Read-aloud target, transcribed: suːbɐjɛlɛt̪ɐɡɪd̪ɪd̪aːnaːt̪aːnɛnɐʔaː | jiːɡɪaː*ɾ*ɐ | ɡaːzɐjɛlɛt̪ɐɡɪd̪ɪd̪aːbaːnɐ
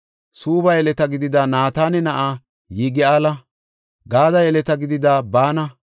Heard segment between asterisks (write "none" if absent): l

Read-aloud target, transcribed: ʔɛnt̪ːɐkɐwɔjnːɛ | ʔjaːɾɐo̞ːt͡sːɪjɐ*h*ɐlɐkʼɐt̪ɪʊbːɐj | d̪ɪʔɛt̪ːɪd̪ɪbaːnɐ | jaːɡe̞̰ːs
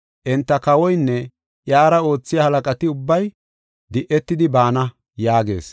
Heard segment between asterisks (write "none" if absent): h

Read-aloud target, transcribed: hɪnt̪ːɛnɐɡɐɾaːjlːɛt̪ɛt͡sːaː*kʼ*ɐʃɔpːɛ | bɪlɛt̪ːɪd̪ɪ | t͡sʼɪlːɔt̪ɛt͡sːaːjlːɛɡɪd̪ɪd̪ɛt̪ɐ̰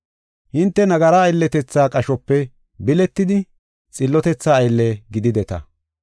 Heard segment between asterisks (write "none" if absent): kʼ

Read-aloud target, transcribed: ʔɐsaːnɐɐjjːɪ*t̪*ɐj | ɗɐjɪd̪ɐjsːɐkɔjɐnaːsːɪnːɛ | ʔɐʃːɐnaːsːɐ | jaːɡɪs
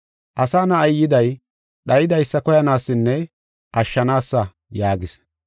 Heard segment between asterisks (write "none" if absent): d̪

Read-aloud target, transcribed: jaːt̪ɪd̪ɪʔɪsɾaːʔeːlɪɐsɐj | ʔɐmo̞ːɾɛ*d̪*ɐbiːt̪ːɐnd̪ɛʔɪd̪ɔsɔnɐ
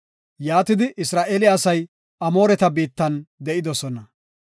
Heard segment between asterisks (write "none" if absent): t̪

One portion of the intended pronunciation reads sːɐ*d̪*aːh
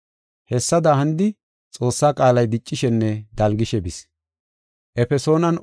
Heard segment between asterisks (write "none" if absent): d̪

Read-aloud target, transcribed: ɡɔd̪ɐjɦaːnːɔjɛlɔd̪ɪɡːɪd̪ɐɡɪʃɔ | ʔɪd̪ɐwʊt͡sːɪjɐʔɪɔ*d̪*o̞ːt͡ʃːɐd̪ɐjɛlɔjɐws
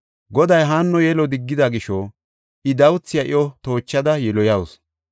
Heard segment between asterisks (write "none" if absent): t̪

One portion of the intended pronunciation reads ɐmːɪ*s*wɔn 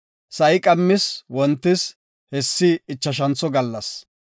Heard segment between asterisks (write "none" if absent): s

